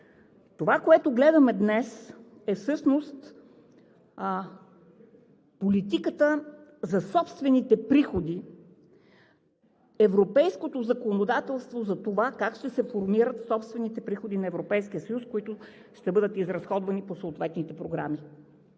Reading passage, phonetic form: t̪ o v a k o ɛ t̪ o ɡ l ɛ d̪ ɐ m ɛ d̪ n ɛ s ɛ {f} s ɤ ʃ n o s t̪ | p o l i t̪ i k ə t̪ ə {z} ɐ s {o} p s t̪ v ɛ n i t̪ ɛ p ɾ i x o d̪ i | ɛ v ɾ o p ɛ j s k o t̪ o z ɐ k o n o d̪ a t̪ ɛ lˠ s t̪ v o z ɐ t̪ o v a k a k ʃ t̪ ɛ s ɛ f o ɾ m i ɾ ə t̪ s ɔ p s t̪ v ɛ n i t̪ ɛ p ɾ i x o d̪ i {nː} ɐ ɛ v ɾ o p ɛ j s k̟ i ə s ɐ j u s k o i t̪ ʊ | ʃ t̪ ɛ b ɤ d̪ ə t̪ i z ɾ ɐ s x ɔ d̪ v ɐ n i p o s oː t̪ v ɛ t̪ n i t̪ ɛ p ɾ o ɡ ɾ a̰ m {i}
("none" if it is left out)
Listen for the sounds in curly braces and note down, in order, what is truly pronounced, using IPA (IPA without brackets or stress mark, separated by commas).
f, z, ɔ, n, i